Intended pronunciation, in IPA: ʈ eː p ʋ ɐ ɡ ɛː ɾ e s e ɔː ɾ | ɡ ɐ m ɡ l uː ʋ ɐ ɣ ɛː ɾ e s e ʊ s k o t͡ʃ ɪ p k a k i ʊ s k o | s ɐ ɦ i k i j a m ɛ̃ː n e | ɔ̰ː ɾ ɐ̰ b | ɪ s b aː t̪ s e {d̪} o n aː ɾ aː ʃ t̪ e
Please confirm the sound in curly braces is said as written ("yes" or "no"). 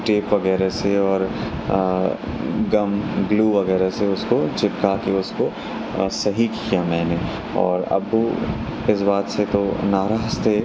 no